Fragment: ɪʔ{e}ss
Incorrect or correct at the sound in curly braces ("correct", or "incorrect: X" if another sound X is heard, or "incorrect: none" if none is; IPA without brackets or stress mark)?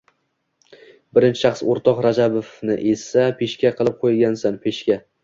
correct